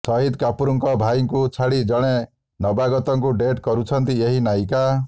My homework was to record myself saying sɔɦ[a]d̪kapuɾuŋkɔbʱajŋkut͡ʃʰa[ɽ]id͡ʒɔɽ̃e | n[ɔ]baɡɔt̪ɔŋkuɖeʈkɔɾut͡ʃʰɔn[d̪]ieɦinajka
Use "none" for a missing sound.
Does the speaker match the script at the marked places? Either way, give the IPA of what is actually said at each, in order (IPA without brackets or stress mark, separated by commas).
i, ɽ, ɔ, t̪